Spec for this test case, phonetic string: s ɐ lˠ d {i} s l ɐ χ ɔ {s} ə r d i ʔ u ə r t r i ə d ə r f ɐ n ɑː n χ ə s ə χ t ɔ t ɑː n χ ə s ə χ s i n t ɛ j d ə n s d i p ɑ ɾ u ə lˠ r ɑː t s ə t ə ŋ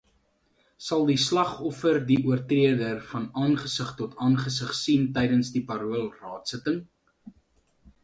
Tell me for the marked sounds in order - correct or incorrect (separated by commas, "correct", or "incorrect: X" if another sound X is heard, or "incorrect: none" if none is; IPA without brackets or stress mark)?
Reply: correct, incorrect: f